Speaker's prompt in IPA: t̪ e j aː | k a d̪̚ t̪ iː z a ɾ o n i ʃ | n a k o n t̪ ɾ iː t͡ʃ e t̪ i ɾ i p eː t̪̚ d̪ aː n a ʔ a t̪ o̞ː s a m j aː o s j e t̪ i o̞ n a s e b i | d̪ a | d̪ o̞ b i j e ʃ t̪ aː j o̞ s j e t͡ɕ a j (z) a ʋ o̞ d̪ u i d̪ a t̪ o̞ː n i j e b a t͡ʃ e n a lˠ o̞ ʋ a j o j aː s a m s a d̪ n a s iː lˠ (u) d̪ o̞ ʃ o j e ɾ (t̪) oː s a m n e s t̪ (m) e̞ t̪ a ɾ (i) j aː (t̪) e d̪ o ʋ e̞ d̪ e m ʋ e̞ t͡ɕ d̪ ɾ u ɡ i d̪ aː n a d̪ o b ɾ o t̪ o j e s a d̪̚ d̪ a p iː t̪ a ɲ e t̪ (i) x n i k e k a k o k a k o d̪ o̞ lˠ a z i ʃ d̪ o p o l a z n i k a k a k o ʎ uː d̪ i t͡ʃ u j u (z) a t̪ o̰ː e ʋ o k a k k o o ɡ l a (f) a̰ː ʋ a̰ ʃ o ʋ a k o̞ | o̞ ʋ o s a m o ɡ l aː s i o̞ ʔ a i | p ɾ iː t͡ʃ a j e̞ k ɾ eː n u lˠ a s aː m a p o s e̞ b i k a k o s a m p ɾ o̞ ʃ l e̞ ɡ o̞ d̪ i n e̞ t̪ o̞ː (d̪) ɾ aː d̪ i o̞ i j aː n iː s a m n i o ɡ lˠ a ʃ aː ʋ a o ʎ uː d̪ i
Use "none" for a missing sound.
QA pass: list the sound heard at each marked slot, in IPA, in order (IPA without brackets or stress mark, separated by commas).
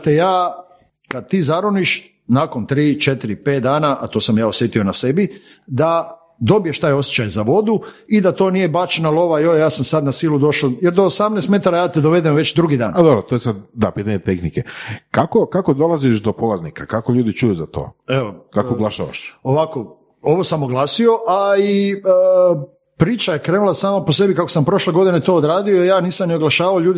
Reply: z, u, d̪, m, a, t̪, e, z, ʃ, d̪